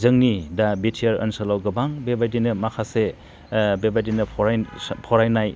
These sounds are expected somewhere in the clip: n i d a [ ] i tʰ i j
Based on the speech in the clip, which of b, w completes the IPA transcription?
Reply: b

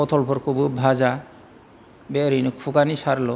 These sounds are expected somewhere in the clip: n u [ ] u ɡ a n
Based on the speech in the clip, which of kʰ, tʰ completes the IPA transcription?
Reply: kʰ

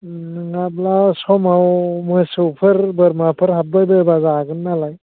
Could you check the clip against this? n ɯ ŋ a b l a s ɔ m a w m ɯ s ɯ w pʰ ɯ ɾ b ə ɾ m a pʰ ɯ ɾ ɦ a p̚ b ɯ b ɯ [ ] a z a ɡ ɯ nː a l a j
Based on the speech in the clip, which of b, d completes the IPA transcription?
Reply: b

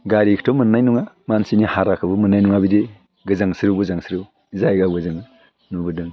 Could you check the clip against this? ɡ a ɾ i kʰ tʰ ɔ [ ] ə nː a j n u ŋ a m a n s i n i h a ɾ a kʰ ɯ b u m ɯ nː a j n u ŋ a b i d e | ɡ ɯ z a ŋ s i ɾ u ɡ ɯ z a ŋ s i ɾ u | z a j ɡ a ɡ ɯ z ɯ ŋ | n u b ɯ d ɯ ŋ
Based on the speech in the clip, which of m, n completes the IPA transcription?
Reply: m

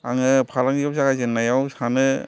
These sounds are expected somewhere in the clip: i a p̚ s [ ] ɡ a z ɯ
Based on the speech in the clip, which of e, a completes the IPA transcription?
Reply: a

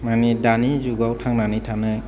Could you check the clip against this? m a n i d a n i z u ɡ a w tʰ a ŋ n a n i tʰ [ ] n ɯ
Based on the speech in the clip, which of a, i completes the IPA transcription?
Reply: a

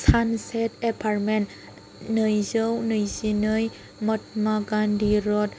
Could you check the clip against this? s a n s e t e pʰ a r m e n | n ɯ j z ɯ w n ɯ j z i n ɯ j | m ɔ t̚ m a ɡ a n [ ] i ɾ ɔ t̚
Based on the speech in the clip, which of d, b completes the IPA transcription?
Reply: d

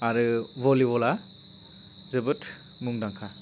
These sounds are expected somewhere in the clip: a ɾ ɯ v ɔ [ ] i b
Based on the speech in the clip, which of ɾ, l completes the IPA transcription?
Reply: l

